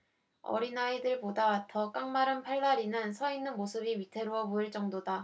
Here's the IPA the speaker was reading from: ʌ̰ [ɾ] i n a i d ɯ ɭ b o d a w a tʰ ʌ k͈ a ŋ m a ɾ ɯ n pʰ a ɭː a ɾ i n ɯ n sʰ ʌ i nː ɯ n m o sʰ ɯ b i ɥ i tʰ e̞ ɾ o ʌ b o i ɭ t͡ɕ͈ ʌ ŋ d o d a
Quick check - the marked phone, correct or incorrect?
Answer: correct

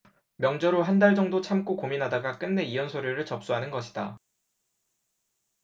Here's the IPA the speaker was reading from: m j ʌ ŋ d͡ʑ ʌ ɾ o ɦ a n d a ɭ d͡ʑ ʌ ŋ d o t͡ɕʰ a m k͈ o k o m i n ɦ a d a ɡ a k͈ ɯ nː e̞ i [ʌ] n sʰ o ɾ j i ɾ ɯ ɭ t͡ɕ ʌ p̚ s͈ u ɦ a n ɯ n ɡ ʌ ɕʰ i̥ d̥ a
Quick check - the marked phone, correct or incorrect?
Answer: correct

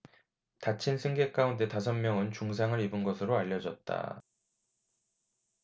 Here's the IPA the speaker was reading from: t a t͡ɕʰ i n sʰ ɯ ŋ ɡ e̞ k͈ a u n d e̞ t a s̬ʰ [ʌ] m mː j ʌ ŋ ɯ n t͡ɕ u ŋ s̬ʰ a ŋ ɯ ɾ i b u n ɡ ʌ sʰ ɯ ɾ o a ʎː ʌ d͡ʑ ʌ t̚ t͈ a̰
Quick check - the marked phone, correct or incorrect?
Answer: correct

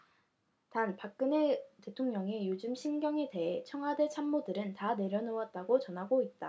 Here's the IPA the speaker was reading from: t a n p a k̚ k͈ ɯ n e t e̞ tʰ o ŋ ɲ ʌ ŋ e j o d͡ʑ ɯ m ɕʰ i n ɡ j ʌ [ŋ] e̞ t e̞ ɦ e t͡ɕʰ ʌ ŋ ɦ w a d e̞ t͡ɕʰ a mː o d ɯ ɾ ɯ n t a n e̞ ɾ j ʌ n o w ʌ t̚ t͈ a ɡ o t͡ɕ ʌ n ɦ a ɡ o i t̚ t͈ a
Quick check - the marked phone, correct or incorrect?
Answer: correct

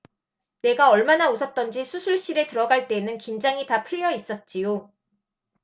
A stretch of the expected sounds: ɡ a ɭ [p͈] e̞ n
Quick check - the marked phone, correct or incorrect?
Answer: incorrect: t͈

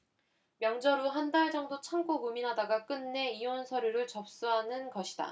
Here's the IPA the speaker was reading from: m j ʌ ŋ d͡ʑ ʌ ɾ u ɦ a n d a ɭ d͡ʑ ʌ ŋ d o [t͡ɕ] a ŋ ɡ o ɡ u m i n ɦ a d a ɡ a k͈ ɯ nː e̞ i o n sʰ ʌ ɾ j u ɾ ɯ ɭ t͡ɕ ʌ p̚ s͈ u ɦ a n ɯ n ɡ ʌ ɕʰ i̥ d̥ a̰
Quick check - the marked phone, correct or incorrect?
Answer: incorrect: t͡ɕʰ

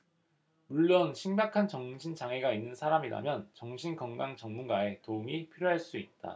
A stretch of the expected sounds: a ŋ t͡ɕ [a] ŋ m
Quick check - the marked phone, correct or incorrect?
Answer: incorrect: ʌ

